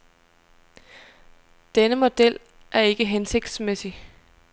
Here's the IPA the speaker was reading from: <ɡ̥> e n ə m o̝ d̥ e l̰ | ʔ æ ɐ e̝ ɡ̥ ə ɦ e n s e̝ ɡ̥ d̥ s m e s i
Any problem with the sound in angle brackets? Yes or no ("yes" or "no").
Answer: yes